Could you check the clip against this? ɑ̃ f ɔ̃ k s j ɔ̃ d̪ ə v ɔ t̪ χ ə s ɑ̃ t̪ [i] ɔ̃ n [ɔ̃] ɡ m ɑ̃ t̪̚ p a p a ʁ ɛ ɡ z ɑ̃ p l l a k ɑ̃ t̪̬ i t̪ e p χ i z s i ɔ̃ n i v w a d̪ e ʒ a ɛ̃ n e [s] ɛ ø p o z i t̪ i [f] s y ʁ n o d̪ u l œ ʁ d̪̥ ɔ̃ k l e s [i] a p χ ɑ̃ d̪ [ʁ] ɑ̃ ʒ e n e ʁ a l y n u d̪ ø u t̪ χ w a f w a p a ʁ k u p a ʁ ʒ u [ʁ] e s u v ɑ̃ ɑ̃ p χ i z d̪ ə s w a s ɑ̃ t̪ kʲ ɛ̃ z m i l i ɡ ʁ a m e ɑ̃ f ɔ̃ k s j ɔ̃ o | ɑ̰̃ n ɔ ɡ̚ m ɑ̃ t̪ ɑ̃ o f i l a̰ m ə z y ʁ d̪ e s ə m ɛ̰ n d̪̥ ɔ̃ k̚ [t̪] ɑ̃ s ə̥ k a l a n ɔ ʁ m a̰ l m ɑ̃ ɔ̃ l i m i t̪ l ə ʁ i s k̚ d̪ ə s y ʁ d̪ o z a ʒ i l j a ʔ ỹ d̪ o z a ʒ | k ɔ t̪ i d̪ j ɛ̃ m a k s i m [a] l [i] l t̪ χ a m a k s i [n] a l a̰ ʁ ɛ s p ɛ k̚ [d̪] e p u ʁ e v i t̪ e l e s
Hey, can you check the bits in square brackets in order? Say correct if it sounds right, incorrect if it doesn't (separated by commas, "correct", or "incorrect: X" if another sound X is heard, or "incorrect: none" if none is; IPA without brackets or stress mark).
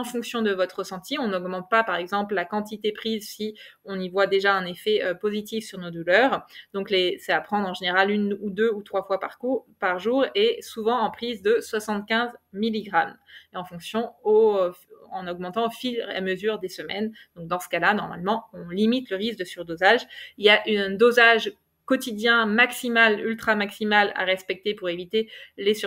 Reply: correct, incorrect: ɔ, incorrect: f, correct, incorrect: ɛ, correct, correct, incorrect: d̪, correct, incorrect: y, incorrect: m, incorrect: t̪